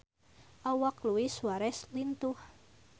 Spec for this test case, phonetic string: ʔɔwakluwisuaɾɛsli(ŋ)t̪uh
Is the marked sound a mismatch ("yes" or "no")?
yes